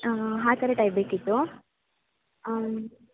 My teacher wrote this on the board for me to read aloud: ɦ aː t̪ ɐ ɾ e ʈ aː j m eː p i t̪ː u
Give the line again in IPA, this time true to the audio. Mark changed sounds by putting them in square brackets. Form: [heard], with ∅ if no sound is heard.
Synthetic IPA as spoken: ɦ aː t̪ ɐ ɾ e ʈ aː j [b] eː [k] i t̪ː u